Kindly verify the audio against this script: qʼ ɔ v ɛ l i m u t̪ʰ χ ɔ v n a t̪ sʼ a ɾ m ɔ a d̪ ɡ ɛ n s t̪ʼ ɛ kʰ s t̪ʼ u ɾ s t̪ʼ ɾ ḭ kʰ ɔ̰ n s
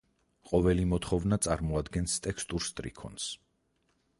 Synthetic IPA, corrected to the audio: qʼ ɔ v ɛ l i m ɔ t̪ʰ χ ɔ v n a t̪ sʼ a ɾ m ɔ a d̪ ɡ ɛ n s t̪ʼ ɛ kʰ s t̪ʼ u ɾ s t̪ʼ ɾ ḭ kʰ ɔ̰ n s